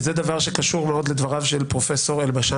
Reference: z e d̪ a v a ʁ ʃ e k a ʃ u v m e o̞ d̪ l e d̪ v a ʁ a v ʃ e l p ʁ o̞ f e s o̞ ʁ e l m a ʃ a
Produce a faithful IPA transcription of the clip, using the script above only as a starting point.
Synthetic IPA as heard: z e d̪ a v a ʁ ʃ e k a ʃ u ʁ m e o̞ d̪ l e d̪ v a ʁ a v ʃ e l p ʁ o̞ f e s o̞ ʁ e l b a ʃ a